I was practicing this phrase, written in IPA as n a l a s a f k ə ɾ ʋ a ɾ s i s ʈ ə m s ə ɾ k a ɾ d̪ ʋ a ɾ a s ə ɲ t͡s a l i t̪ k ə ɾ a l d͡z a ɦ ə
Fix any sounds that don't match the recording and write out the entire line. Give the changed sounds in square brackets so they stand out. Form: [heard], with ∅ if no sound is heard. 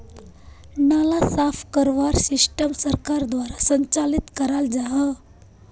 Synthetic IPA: n a l a s a f k ə ɾ ʋ a ɾ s i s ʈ ə m s ə ɾ k a ɾ d̪ ʋ a ɾ a s ə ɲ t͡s a l i t̪ k ə ɾ a l d͡z a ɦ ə

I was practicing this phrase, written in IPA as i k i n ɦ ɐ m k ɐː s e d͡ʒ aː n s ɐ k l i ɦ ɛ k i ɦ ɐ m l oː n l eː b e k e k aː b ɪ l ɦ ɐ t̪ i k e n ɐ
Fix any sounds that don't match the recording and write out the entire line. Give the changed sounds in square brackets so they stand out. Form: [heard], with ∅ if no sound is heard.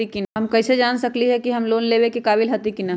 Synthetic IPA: i k i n ɦ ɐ m k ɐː s e d͡ʒ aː n s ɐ k l i ɦ ɛ k i ɦ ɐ m l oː n l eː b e k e k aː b ɪ l ɦ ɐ t̪ i k [i] n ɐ

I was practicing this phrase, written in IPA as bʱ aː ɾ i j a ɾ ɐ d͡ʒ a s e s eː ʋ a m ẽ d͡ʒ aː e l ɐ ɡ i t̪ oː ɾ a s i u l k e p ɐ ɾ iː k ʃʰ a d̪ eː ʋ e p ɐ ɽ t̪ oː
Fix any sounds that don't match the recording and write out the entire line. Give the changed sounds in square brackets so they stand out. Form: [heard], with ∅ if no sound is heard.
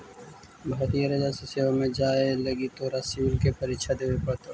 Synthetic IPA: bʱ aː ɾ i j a ɾ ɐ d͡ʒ a s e s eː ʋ a m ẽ d͡ʒ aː e l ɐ ɡ i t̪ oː ɾ a s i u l k e p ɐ ɾ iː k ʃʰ a d̪ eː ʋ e p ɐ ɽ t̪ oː

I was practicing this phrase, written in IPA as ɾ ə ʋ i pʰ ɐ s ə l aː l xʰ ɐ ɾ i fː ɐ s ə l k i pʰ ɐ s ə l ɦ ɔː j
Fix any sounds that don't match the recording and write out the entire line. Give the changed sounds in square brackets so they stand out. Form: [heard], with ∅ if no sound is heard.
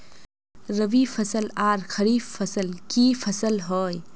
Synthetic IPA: ɾ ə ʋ i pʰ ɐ s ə l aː [ɾ] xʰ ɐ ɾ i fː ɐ s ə l k i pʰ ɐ s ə l ɦ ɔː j

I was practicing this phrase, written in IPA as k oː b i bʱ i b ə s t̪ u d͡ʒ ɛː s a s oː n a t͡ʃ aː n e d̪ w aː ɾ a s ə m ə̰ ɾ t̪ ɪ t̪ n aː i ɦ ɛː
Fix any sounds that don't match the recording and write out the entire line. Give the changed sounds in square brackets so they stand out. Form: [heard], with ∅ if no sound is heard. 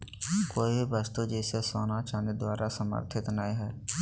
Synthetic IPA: k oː [∅] i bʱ i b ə s t̪ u d͡ʒ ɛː s [e] s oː n a t͡ʃ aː n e d̪ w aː ɾ a s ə m ə̰ ɾ [t̪ʰ] ɪ t̪ n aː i ɦ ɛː

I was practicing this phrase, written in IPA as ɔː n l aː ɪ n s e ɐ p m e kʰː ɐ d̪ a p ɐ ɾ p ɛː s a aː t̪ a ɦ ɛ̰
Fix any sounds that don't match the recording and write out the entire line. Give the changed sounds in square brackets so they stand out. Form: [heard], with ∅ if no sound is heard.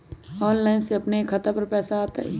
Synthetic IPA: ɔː n l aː ɪ n s e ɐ p [n] e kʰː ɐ [t̪] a p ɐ ɾ p ɛː s a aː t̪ a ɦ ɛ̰

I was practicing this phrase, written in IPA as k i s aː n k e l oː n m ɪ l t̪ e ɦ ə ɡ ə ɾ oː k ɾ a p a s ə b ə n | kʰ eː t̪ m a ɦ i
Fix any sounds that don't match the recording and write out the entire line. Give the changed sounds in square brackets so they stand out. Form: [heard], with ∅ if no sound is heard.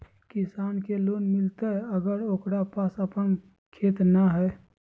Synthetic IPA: k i s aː n k e l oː n m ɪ l t̪ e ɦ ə ɡ ə ɾ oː k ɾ a p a s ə [p] ə n | kʰ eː t̪ [n] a ɦ [ɛ]

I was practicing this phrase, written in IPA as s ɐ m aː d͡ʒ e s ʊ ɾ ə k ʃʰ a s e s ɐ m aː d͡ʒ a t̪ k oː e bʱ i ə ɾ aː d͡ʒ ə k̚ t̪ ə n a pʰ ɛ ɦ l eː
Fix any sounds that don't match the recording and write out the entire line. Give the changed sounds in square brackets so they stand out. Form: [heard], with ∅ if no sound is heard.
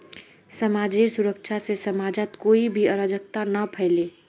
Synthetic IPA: s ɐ m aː d͡ʒ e s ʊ ɾ ə k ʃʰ a s e s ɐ m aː d͡ʒ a t̪ k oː [i] bʱ i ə ɾ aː d͡ʒ ə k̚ t̪ [a] n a pʰ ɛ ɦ l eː

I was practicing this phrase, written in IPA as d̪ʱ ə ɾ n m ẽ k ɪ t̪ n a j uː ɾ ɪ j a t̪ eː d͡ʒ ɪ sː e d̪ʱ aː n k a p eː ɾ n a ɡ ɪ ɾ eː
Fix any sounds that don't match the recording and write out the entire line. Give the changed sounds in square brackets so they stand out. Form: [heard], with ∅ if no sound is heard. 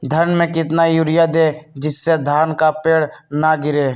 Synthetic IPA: d̪ʱ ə ɾ n m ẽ k ɪ t̪ n a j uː ɾ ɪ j a [d̪] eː d͡ʒ ɪ sː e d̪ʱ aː n k a p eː [ɽ] n a ɡ ɪ ɾ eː

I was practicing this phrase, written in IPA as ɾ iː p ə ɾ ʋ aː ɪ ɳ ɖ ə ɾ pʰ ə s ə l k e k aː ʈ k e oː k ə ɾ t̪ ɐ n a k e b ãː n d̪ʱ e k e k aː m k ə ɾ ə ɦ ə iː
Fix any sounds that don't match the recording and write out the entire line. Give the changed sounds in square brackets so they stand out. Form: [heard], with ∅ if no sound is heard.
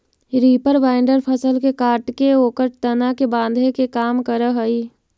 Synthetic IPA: ɾ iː p ə ɾ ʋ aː ɪ ɳ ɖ ə ɾ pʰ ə s ə l k e k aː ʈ k e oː k ə ɾ t̪ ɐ n a k e b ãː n d̪ʱ e k e k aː m k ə ɾ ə ɦ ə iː

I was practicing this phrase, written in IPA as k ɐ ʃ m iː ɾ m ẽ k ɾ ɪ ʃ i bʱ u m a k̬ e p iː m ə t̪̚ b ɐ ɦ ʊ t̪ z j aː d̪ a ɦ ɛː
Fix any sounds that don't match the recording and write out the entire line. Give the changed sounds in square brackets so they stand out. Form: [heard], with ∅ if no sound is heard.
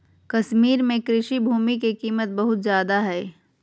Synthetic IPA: k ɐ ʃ m iː ɾ m ẽ k ɾ ɪ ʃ i bʱ [uː] m [i] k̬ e [k] iː m ə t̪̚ b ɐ ɦ ʊ t̪ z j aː d̪ a ɦ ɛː

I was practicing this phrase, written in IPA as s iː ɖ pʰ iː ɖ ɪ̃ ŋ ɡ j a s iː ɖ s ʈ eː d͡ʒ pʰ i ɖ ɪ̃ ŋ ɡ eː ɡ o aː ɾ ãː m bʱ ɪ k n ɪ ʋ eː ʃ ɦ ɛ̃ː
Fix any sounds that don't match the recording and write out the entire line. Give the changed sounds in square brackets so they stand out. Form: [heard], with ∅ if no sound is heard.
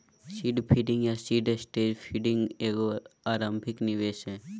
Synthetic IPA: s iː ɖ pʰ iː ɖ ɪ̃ ŋ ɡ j a s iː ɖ s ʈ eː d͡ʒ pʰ i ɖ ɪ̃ ŋ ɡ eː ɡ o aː ɾ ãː m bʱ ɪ k n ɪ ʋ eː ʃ ɦ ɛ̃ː

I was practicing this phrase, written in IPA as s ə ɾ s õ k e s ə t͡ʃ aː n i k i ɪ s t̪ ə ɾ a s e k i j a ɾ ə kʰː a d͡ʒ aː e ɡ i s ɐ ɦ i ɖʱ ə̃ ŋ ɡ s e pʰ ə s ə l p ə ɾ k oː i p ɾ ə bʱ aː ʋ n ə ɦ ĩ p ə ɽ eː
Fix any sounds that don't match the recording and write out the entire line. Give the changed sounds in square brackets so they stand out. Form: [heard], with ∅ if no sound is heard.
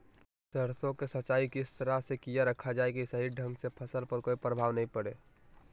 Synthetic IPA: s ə ɾ s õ k e s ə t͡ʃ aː [∅] i k i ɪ s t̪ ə ɾ a s e k i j a ɾ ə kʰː a d͡ʒ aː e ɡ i s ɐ ɦ i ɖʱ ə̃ ŋ ɡ s e pʰ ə s ə l p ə ɾ k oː i p ɾ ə bʱ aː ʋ n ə ɦ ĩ p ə ɽ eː

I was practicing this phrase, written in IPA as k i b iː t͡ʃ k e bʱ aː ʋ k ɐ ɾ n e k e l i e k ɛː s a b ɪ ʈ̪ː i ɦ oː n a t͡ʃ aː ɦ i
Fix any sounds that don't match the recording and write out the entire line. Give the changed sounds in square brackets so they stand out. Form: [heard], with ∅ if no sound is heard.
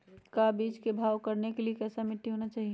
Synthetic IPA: k [a] b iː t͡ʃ k e bʱ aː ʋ k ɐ ɾ n e k e l i e k ɛː s a [m] ɪ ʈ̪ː i ɦ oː n a t͡ʃ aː ɦ i

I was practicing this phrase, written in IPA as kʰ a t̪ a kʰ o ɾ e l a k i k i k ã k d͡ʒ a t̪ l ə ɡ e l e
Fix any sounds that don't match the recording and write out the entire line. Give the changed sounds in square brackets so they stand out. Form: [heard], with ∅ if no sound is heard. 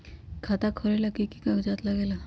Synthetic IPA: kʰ a t̪ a kʰ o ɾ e l a k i k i k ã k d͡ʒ a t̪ l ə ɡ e l [a]

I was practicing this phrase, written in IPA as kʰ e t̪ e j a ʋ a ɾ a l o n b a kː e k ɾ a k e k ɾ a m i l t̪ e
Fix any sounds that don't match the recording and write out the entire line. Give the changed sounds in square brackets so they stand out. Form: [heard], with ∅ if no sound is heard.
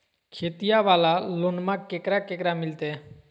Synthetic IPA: kʰ e t̪ [i] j a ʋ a [l] a l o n [m] a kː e k ɾ a k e k ɾ a m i l t̪ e

